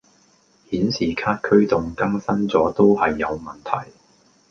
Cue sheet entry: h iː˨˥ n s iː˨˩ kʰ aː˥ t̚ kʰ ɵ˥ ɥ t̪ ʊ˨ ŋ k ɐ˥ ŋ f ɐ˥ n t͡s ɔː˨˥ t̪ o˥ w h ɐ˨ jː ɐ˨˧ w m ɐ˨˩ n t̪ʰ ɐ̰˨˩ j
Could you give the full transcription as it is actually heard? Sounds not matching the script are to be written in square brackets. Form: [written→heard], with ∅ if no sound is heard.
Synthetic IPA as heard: h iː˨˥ n s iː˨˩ kʰ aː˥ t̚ kʰ ɵ˥ ɥ t̪ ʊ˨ ŋ k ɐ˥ ŋ [f→s] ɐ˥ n t͡s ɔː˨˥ t̪ o˥ w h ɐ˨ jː ɐ˨˧ w m ɐ˨˩ n t̪ʰ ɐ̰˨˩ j